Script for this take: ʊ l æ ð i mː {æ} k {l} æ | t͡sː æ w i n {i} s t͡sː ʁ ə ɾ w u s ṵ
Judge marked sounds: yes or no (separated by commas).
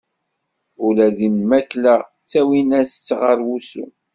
yes, yes, no